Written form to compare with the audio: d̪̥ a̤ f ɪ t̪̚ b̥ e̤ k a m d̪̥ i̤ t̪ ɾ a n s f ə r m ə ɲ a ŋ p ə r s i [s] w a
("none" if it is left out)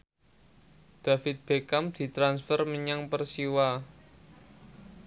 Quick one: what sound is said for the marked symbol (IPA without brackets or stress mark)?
none